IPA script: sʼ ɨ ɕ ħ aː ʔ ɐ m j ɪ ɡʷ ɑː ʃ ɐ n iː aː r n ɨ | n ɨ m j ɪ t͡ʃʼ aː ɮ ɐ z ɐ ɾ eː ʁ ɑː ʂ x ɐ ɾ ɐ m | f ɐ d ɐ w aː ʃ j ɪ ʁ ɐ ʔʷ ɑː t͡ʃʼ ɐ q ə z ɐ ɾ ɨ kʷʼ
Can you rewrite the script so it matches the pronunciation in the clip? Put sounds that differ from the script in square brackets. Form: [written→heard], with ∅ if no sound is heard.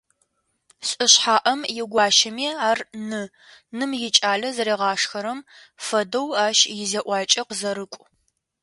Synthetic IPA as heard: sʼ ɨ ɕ ħ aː ʔ ɐ m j ɪ ɡʷ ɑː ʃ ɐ [n→m] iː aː r n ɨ | n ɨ m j ɪ t͡ʃʼ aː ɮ ɐ z ɐ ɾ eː ʁ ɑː ʂ x ɐ ɾ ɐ m | f ɐ d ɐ w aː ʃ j ɪ [ʁ→z] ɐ ʔʷ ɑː t͡ʃʼ ɐ q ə z ɐ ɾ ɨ kʷʼ